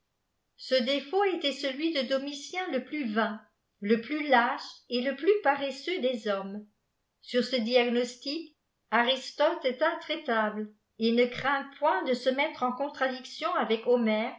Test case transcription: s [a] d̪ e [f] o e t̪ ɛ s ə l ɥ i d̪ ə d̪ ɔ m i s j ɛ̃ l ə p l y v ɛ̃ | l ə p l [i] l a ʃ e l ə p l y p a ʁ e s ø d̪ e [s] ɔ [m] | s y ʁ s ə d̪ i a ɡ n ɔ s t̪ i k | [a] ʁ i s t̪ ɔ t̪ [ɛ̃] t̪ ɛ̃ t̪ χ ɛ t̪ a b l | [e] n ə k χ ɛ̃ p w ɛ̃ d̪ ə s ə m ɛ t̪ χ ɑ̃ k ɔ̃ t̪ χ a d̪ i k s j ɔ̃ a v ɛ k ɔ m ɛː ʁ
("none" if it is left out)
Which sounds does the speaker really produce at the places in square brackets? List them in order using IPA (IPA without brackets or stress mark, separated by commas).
ə, f, y, z, m, a, ɛ, e